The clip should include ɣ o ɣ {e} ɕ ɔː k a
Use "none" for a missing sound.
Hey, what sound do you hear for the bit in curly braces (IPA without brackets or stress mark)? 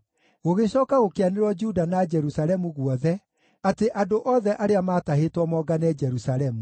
e